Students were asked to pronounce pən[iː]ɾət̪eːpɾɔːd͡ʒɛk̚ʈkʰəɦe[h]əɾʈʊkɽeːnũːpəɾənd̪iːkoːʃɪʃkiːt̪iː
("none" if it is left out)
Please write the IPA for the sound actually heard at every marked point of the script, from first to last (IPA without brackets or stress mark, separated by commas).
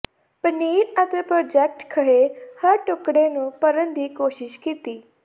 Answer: iː, h